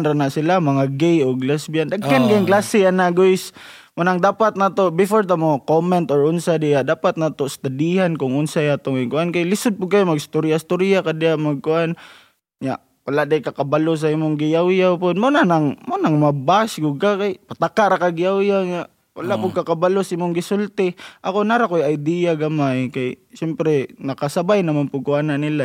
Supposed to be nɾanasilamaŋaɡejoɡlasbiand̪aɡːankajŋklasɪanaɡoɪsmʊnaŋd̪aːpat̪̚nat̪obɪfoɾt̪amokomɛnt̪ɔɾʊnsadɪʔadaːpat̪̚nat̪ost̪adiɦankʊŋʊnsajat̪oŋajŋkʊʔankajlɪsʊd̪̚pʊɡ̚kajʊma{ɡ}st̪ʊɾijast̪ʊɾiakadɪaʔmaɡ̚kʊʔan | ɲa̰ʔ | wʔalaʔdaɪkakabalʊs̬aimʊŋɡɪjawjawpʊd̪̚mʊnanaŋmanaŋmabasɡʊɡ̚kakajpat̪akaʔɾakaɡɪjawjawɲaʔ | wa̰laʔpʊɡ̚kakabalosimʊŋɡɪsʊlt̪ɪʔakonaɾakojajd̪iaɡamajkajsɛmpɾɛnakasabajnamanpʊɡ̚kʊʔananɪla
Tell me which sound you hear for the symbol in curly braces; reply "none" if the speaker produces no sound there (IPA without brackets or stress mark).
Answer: ɡ